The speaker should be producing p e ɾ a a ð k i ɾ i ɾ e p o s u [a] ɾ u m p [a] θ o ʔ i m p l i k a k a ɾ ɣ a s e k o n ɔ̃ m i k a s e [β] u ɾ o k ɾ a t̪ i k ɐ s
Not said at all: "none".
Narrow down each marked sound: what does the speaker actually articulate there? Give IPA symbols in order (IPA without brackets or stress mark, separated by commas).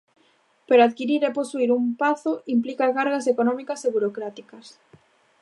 i, a, β